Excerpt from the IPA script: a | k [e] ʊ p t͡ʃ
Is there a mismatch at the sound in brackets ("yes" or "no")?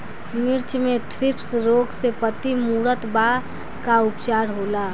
yes